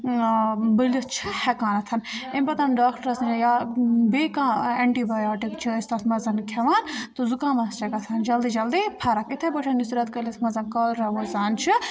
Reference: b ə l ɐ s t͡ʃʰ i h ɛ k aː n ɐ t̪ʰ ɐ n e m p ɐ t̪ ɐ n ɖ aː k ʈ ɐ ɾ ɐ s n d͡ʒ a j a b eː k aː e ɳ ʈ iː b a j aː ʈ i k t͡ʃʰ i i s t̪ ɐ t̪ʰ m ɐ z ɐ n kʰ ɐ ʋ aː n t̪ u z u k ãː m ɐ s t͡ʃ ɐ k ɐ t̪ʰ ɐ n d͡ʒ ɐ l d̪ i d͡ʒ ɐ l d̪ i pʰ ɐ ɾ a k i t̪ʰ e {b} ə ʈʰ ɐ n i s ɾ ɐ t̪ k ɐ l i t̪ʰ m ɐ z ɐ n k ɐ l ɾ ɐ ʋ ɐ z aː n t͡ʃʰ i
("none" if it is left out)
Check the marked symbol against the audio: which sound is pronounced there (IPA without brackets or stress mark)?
b